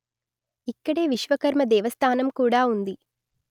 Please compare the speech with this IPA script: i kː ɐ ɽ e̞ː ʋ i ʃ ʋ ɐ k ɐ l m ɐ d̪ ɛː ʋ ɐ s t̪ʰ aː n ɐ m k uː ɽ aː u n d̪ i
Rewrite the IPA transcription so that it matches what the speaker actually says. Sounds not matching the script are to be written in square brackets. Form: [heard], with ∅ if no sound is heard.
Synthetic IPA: i kː ɐ ɽ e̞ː ʋ i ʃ ʋ ɐ k ɐ [ɾ] m ɐ d̪ ɛː ʋ ɐ s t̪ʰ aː n ɐ m k uː ɽ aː u n d̪ i

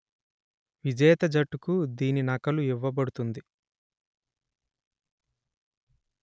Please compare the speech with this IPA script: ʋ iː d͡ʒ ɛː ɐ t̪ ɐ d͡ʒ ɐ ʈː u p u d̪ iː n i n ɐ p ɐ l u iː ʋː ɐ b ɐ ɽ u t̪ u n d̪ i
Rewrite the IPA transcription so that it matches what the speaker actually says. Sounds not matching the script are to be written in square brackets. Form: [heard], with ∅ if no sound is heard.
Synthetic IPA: ʋ [i] d͡ʒ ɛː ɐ t̪ ɐ d͡ʒ ɐ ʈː u [k] u d̪ iː n i n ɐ [k] ɐ l u [i] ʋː ɐ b ɐ ɽ u t̪ u n d̪ i

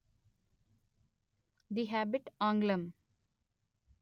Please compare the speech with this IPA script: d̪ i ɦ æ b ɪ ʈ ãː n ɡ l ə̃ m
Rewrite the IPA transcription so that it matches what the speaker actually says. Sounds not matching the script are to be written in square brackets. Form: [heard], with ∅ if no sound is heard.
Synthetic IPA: d̪ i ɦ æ b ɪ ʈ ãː [ŋ] ɡ l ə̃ m

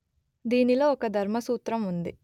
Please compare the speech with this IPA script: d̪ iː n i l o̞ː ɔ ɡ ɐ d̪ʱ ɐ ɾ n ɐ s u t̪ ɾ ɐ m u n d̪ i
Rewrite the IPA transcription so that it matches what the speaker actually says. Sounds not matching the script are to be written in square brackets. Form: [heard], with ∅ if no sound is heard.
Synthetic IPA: d̪ iː n i l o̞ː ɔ [k] ɐ d̪ʱ ɐ ɾ [m] ɐ s [uː] t̪ ɾ ɐ m u n d̪ i

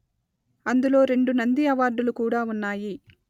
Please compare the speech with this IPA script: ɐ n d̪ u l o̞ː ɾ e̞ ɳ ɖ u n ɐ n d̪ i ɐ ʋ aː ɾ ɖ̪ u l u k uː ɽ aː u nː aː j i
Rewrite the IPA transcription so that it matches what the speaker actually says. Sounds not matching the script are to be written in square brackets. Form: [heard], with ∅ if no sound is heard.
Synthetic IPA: ɐ n d̪ u l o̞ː ɾ e̞ ɳ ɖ u n ɐ n d̪ i ɐ ʋ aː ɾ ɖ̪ u l u k uː ɽ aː u nː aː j i

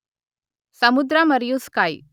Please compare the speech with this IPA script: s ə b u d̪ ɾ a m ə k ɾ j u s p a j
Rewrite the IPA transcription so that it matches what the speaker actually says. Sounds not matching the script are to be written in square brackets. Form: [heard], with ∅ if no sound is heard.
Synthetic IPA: s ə [m] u d̪ ɾ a m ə [∅] ɾ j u s [k] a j

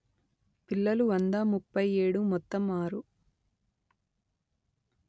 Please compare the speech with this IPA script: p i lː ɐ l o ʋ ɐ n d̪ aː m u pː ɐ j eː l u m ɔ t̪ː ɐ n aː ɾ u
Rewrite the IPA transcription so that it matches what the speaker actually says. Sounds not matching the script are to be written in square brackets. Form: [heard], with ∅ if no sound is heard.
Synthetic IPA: p i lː ɐ l [u] ʋ ɐ n d̪ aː m u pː ɐ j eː [ɽ] u m ɔ t̪ː ɐ [m] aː ɾ u

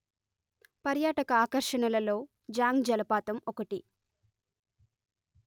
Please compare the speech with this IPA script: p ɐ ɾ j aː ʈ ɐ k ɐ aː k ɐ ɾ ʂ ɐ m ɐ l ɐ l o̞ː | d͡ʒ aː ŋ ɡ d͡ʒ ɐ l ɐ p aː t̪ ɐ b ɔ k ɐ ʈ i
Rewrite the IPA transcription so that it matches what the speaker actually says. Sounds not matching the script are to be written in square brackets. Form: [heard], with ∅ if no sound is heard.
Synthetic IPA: p ɐ ɾ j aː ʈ ɐ k ɐ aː k ɐ ɾ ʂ ɐ [ɳ] ɐ l ɐ l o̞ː | d͡ʒ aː ŋ ɡ d͡ʒ ɐ l ɐ p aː t̪ ɐ [m] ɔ k ɐ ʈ i

